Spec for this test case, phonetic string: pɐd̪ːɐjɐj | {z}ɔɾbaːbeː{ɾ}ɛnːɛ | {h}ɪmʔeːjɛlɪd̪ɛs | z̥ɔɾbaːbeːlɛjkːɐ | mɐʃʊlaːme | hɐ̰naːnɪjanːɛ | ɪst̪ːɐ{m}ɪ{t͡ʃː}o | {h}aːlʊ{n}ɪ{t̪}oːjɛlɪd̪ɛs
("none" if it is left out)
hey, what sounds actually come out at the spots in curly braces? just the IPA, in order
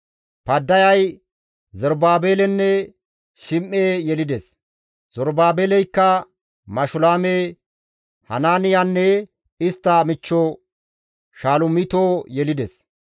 z, l, ʃ, m, t͡ʃː, ʃ, m, t̪

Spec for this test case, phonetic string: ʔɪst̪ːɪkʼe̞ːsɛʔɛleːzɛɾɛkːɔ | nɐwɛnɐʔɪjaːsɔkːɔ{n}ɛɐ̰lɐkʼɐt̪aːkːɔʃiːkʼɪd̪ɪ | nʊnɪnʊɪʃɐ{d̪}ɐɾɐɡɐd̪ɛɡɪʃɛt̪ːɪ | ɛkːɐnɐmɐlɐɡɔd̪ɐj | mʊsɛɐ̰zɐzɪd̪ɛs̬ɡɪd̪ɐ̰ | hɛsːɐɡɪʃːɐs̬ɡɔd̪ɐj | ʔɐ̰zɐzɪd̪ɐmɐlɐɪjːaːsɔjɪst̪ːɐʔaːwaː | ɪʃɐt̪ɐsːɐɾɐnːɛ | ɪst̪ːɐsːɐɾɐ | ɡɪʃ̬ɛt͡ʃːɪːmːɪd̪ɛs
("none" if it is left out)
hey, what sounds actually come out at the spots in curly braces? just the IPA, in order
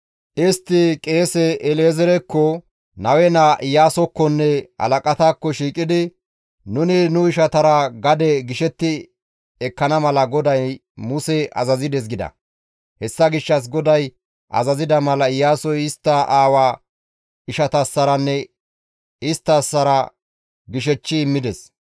nː, t̪

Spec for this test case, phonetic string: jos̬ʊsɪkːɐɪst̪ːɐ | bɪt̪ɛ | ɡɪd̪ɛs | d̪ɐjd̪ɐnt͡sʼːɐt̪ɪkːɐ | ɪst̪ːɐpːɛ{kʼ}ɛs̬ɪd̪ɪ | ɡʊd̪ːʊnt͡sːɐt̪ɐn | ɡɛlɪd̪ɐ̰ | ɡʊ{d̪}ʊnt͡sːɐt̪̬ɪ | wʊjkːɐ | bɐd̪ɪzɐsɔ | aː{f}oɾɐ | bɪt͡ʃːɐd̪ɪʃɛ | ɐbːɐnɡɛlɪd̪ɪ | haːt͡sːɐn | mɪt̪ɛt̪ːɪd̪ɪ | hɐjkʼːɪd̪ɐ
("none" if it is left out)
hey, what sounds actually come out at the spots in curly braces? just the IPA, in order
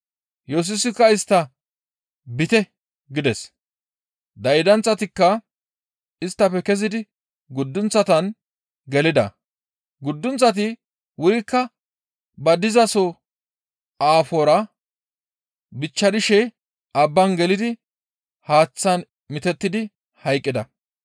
k, d̪ː, f

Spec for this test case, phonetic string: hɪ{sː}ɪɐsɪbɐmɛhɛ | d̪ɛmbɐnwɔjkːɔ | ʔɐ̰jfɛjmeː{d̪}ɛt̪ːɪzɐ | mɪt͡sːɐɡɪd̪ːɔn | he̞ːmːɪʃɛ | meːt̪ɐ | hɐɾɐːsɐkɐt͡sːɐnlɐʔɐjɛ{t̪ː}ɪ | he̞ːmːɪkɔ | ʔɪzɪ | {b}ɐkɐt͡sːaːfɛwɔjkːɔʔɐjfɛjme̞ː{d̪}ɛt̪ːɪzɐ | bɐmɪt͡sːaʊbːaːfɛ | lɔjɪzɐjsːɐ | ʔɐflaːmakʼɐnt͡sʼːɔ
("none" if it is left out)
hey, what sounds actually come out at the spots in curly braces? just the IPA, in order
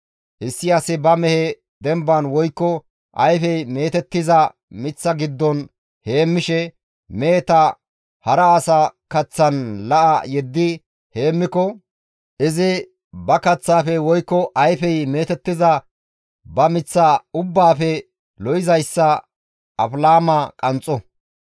sː, t̪, d̪ː, b, t̪

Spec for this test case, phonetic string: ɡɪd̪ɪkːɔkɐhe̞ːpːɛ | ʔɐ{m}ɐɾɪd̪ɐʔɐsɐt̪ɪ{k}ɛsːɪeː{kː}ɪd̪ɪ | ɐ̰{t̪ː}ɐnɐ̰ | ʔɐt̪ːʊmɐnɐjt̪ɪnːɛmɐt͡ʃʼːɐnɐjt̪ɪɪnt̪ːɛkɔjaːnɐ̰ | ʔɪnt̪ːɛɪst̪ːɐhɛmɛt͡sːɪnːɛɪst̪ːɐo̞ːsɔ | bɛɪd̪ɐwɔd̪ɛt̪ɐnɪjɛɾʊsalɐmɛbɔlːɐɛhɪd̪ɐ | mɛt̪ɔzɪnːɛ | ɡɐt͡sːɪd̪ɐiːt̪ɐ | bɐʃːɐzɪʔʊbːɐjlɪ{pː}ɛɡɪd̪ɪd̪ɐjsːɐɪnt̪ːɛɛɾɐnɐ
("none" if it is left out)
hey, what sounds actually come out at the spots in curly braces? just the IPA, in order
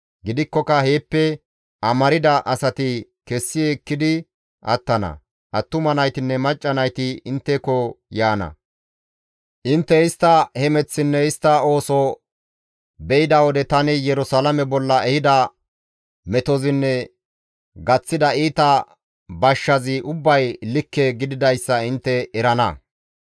m, k, kː, t̪ː, kː

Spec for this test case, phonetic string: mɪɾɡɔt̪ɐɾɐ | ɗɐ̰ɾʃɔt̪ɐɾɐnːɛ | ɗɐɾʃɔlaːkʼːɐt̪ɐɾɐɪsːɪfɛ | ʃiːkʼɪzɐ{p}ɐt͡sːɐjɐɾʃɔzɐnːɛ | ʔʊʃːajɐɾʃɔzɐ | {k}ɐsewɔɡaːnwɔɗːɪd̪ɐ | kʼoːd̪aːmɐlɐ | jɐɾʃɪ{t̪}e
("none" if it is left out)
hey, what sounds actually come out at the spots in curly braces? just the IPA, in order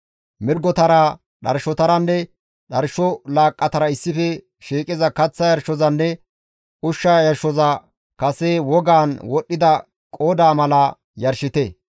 k, k, t̪

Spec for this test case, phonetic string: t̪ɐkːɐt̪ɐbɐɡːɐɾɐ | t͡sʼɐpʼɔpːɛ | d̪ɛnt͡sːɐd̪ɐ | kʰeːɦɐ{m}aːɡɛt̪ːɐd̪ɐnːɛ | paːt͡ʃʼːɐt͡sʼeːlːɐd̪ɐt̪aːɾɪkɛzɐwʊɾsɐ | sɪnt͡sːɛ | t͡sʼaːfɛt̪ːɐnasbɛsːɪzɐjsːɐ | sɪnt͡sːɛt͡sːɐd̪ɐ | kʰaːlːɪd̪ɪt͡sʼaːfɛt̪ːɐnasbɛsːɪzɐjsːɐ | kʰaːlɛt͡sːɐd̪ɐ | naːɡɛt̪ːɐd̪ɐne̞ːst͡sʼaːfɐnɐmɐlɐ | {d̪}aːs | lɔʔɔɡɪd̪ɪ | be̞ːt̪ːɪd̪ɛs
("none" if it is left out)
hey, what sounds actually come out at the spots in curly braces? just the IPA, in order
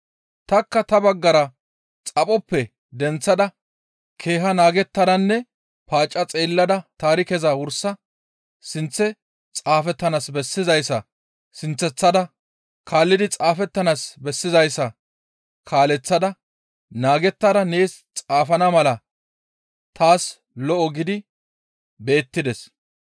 n, t̪

